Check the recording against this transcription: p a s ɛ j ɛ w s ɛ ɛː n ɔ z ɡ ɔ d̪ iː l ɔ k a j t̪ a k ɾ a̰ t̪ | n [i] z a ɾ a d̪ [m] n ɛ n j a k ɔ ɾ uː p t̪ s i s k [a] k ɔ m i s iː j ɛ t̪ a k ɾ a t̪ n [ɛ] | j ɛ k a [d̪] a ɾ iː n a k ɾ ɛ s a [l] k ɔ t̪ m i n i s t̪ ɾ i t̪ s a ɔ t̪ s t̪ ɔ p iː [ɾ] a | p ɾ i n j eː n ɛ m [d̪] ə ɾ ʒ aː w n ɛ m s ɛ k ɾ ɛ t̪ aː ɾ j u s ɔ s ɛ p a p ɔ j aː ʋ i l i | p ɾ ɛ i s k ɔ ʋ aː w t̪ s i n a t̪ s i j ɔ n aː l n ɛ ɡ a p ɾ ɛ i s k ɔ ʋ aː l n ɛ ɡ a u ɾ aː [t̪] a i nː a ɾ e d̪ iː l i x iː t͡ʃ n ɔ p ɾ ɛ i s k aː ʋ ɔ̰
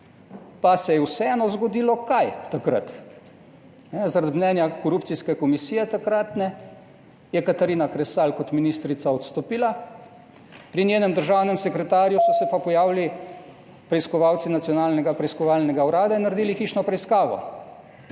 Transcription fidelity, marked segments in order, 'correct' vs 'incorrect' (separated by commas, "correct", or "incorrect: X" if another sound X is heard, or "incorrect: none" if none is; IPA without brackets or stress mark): incorrect: ɛ, correct, incorrect: ɛ, correct, incorrect: t̪, correct, incorrect: l, correct, incorrect: d̪